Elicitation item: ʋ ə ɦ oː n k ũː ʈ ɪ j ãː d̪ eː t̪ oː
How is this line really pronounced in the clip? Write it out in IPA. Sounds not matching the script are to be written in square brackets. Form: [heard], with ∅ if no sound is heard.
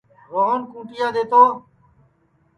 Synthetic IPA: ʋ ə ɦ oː n k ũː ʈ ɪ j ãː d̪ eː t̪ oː